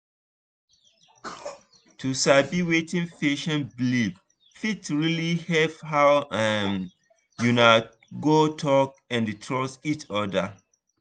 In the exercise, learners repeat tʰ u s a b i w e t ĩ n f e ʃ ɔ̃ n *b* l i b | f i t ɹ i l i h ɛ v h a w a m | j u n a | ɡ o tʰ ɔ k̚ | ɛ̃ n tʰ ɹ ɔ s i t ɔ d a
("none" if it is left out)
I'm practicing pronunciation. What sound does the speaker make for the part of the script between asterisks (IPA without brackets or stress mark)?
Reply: b